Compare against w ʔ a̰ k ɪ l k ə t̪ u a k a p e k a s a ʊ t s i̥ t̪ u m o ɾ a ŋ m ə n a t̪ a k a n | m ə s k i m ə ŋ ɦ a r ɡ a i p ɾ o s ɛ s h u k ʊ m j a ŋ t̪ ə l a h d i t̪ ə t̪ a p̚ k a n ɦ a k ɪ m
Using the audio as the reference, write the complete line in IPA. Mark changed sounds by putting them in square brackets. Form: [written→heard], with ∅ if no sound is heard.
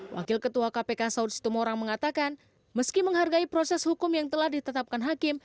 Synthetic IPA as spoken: w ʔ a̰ k ɪ l k ə t̪ u a k a p e k a s a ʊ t s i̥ t̪ u m o ɾ a ŋ m ə [n→ŋ] a t̪ a k a n | m ə s k i m ə ŋ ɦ a r ɡ a i p ɾ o s ɛ s h u k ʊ m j a ŋ t̪ ə l a h d i t̪ ə t̪ a p̚ k a n ɦ a k ɪ m